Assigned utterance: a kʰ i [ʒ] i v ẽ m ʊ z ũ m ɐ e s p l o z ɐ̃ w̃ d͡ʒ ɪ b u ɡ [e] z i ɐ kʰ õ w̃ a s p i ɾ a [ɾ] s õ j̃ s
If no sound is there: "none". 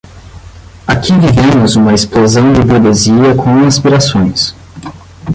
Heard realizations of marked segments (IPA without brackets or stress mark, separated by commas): v, e, none